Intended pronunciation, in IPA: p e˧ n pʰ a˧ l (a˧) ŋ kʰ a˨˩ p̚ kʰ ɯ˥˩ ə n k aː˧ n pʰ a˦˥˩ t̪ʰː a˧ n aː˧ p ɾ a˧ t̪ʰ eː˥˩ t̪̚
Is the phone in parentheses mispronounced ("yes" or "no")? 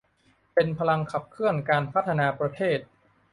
no